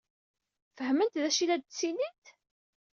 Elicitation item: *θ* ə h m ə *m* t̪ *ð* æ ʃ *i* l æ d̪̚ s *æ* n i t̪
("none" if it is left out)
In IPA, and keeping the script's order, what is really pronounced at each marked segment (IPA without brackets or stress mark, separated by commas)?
f, n, ð, i, i